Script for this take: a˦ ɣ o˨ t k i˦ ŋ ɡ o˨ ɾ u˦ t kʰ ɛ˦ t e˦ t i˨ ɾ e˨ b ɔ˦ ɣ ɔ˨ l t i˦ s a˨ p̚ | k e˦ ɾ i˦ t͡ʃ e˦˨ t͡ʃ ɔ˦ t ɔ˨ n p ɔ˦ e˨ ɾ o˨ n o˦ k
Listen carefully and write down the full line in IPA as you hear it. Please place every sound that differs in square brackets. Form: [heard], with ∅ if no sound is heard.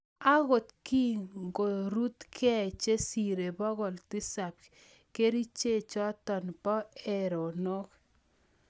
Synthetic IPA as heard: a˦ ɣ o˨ t k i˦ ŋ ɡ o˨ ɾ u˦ t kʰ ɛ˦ [t͡ʃ] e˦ [s] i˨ ɾ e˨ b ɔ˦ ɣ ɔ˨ l t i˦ s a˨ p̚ | k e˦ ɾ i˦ t͡ʃ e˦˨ t͡ʃ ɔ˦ t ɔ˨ n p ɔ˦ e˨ ɾ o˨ n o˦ k

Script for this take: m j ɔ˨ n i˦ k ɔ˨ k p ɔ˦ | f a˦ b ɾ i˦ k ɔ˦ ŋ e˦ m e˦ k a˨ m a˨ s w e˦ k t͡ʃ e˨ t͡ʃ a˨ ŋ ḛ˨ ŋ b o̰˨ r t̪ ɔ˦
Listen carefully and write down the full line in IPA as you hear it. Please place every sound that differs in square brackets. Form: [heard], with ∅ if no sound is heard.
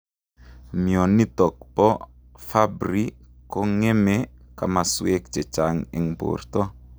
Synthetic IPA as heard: m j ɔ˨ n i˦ [t] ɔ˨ k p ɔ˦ | f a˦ b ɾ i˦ k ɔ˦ ŋ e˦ m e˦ k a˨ m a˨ s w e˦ k t͡ʃ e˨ t͡ʃ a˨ ŋ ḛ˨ ŋ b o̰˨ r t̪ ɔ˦

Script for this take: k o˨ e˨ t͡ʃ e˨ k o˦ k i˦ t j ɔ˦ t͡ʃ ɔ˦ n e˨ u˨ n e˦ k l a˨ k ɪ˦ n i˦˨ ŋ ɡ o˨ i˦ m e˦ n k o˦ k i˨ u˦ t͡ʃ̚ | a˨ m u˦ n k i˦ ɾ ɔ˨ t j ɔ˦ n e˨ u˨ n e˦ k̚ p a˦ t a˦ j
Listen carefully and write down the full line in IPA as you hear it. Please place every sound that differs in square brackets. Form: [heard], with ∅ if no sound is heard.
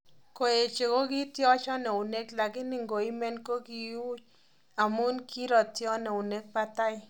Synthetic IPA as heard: k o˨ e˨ t͡ʃ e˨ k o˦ k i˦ t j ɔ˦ t͡ʃ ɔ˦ n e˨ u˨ n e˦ k l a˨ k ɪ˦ n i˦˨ ŋ ɡ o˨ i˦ m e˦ n k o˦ k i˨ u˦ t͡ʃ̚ | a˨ m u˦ n k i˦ ɾ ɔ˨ t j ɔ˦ n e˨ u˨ n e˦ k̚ p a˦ t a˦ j

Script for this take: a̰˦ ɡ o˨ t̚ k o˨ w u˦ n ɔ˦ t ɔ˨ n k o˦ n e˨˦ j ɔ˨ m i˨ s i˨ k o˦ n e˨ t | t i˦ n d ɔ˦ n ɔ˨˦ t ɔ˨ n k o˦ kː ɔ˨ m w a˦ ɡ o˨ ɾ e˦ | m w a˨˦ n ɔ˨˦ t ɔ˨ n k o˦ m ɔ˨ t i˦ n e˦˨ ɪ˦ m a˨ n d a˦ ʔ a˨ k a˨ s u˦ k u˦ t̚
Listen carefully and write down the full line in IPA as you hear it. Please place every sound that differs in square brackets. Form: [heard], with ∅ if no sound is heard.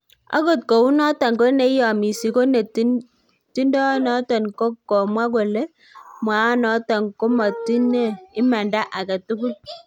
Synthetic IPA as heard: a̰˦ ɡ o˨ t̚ k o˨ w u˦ n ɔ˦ t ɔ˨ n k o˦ n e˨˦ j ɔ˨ m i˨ s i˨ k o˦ n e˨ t | t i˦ n d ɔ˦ n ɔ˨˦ t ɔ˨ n k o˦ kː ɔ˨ m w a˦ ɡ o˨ [l] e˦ | m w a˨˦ n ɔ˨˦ t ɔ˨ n k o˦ m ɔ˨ t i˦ n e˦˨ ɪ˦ m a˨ n d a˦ ʔ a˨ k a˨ [t] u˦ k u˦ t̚

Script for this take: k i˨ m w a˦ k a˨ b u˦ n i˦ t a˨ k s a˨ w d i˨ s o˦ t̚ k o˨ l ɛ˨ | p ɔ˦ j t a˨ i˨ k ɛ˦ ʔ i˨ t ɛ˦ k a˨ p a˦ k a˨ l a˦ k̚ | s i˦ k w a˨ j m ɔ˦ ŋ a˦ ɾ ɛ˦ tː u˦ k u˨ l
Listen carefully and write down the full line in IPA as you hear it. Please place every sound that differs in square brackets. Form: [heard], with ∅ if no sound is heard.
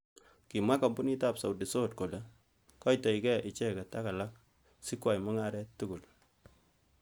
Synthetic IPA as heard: k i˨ m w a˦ k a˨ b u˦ n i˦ t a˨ [p] s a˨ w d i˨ s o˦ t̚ k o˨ l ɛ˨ | [k] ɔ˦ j t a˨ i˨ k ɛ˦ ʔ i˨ [t͡ʃ] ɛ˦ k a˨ [t] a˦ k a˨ l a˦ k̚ | s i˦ k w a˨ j m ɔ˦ ŋ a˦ ɾ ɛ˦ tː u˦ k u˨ l

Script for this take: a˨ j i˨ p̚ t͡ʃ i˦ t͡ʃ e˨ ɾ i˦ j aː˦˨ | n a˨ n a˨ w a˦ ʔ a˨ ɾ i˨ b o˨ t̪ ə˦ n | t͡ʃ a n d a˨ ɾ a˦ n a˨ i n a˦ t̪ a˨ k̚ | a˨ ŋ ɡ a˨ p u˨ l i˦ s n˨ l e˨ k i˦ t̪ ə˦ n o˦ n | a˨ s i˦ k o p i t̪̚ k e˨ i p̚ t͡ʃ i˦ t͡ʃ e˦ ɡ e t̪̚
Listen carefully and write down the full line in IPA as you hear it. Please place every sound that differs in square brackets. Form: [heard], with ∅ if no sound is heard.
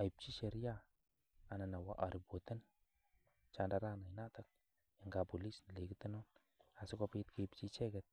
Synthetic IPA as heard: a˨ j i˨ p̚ t͡ʃ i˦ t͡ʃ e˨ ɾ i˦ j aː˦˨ | n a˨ n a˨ w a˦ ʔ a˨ ɾ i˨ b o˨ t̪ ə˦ n | t͡ʃ a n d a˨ ɾ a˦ n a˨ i n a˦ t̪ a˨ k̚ | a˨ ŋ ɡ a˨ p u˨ l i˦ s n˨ l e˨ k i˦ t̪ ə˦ n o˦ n | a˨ s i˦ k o p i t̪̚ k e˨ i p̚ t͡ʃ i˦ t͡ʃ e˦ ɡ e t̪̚

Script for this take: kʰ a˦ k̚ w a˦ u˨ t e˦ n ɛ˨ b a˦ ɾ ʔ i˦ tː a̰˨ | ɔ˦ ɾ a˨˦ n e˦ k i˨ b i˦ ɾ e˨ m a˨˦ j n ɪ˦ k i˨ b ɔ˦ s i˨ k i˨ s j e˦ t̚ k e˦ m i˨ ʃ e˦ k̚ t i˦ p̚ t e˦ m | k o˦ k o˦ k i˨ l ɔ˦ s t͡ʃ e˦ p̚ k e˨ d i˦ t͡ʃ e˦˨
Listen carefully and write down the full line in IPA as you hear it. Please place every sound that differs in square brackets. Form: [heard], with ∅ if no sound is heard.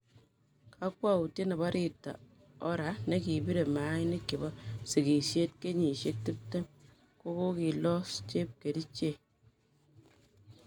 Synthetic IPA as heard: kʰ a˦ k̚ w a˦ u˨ t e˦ n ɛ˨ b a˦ ɾ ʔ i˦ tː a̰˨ | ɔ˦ ɾ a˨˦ n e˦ k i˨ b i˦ ɾ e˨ m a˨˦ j n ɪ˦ k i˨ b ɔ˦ s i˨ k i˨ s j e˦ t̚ k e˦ [ɲ] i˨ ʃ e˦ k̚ t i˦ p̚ t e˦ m | k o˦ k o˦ k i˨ l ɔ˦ s t͡ʃ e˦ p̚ k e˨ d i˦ t͡ʃ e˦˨

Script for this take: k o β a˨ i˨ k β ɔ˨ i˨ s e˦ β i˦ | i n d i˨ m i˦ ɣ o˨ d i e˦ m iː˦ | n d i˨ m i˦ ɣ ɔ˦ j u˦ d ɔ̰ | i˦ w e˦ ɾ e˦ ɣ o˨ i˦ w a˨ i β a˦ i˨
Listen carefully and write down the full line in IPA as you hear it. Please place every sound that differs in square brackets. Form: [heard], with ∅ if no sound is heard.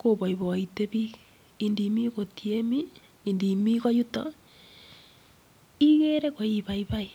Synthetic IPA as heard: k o β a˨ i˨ [∅] β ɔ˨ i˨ [t] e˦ β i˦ | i n d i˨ m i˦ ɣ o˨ [t] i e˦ m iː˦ | n d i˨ m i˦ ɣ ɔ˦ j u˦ [t] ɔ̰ | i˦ [ɣ] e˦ ɾ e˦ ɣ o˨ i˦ [β] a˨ i β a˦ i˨

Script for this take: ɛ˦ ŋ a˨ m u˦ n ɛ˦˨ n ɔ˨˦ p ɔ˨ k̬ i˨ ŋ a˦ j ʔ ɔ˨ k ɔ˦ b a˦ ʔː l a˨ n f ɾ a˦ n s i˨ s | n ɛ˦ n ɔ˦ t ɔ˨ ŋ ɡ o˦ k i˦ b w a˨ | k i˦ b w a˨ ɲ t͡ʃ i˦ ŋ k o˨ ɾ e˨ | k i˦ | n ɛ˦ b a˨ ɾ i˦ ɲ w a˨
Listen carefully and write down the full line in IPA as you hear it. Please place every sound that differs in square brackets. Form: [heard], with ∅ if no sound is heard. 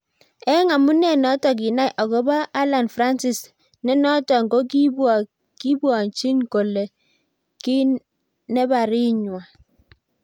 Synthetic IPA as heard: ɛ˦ ŋ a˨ m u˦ n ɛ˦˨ n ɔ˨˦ [t] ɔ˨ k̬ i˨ [n] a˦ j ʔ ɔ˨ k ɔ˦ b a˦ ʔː l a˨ n f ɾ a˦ n s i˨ s | n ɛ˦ n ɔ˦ t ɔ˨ ŋ ɡ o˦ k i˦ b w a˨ | k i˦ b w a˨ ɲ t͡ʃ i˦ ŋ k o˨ [l] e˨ | k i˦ | n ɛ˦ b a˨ ɾ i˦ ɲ w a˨

